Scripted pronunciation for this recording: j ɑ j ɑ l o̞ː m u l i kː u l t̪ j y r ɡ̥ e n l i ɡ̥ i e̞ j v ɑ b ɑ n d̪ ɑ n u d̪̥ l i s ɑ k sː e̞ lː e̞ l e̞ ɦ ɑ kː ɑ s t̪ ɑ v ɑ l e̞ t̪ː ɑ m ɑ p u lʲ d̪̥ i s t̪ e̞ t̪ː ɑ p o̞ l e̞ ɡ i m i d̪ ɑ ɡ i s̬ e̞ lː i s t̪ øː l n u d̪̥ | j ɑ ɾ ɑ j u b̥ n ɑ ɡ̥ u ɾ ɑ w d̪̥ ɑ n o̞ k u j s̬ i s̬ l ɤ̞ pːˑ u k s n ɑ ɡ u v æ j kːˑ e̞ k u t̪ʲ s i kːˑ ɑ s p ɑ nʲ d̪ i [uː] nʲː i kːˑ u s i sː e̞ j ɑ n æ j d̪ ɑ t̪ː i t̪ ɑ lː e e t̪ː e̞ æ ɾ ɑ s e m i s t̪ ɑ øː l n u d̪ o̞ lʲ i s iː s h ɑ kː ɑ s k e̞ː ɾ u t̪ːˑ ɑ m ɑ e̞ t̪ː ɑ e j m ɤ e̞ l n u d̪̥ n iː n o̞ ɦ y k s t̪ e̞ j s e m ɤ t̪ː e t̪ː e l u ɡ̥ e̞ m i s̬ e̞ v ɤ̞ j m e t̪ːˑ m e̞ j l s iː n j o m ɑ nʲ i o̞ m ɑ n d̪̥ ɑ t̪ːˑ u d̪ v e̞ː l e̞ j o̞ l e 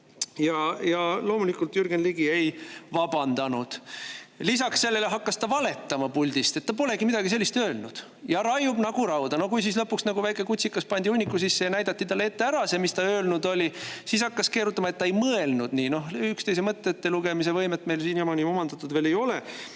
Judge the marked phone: incorrect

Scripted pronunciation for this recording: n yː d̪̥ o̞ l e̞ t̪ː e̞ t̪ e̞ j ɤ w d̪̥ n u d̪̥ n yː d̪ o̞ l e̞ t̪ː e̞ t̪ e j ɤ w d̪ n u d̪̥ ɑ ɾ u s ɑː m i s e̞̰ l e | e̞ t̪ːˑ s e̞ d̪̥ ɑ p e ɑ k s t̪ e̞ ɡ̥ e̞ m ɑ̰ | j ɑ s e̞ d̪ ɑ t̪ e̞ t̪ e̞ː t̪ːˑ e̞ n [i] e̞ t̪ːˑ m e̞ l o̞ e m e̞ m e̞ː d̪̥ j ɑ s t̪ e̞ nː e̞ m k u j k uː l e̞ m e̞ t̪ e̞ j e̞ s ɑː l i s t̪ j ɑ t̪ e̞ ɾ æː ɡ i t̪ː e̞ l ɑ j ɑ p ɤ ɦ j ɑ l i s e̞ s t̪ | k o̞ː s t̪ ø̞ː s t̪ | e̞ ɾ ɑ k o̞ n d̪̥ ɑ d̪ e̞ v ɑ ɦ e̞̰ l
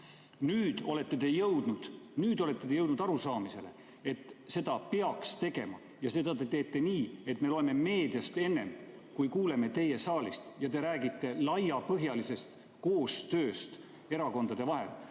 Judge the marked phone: incorrect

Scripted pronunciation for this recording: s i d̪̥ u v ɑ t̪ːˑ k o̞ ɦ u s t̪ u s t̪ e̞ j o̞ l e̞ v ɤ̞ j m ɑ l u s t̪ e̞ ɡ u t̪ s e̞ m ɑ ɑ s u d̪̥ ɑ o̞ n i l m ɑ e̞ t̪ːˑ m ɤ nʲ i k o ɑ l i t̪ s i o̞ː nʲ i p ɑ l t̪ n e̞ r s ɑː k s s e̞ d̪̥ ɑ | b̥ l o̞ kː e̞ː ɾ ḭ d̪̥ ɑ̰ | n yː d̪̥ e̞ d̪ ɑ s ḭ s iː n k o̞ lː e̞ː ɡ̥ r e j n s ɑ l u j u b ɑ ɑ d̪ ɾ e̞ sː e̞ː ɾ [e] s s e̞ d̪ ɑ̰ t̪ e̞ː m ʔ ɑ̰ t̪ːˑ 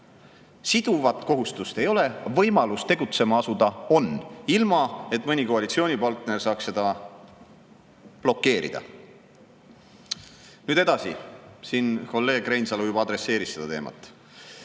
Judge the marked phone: incorrect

